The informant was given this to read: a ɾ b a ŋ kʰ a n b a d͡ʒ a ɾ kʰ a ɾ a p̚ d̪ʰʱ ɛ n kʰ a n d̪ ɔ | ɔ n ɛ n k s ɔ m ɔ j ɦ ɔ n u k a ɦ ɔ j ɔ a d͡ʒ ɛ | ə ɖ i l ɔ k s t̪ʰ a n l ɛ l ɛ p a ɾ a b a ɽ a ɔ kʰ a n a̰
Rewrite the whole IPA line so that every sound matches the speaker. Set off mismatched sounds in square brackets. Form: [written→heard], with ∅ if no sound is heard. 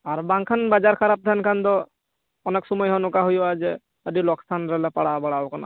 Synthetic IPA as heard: a ɾ b a ŋ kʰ a n b a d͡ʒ a ɾ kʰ a ɾ a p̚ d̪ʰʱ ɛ n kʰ a n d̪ ɔ | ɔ n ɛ [n→∅] k s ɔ m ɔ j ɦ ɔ n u k a ɦ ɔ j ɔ a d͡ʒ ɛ | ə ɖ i l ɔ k s t̪ʰ a n [l→ɾ] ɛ l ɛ p a [ɾ→ɽ] a b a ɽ a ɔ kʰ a n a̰